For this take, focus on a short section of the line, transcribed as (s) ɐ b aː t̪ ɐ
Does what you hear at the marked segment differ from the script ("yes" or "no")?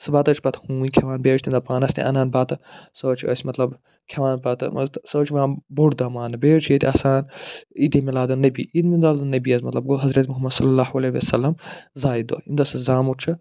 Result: no